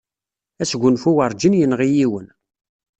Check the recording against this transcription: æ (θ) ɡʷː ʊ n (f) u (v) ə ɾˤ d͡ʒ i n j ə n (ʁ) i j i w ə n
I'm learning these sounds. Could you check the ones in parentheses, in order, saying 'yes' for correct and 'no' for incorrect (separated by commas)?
no, yes, no, yes